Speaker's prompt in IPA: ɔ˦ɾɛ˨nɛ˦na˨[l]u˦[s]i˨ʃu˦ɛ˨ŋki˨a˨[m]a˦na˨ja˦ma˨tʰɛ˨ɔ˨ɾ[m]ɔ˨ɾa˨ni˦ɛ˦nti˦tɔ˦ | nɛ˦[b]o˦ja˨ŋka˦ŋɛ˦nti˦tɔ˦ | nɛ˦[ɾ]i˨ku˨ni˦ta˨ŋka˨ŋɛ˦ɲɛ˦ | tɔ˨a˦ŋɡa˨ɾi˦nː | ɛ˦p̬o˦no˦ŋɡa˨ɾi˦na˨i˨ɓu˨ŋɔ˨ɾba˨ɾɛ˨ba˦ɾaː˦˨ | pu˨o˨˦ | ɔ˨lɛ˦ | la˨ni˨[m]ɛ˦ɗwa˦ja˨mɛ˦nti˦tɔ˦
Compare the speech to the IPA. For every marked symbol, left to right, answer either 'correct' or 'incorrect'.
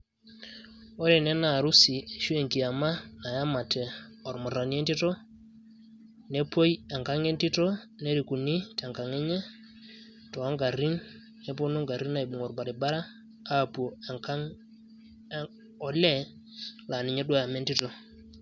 incorrect, correct, correct, correct, incorrect, correct, incorrect

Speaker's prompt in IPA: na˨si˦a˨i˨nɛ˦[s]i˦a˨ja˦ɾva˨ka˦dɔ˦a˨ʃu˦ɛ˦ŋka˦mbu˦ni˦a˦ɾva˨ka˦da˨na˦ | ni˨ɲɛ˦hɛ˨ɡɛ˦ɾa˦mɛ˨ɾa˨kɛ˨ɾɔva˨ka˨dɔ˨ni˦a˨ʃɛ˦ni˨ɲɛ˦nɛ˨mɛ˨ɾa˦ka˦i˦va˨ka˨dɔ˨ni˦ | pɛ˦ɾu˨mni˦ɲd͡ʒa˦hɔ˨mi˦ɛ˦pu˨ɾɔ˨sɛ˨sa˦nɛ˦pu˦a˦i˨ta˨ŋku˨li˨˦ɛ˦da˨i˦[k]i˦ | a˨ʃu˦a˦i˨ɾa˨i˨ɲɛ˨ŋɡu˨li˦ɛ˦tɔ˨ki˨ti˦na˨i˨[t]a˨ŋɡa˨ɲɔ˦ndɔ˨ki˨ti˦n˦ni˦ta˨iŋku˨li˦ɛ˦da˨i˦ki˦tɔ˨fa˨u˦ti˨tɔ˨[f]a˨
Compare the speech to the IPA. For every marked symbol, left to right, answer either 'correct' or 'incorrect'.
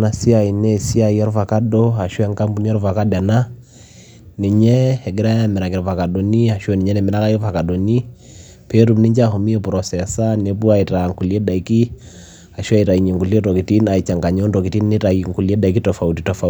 correct, correct, incorrect, correct

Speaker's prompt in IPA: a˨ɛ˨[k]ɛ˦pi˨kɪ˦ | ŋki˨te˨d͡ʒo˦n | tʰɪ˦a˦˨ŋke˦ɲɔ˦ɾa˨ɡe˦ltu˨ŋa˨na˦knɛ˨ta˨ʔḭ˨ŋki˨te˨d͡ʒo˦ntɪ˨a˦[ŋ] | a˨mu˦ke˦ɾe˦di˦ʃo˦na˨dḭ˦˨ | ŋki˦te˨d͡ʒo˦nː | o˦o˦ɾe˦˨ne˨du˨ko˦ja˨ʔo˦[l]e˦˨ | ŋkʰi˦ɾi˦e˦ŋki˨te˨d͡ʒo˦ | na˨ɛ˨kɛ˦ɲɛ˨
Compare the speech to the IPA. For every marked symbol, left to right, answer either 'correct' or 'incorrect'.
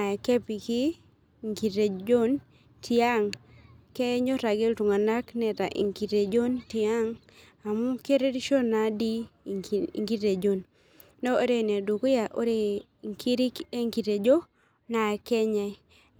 correct, correct, incorrect

